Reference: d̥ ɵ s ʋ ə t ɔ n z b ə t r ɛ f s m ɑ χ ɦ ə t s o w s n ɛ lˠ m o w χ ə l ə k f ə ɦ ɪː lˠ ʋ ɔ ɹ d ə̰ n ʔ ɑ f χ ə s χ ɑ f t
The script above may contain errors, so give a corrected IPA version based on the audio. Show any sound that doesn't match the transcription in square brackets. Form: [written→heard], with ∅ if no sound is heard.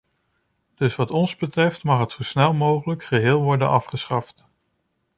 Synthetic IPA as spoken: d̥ ɵ s ʋ [ə→ɑ] t ɔ n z b ə t r ɛ f [s→t] m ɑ χ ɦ ə t s o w s n ɛ lˠ m o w χ ə l ə k [f→χ] ə ɦ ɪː lˠ ʋ ɔ ɹ d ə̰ n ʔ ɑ f χ ə s χ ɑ f t